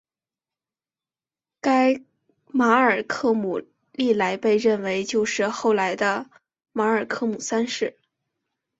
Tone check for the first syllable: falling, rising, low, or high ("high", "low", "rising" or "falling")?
high